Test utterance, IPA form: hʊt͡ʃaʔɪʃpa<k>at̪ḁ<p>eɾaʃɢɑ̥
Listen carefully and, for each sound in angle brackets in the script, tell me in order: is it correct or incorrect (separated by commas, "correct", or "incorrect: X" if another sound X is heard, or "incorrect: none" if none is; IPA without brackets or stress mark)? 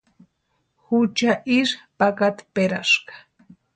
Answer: correct, correct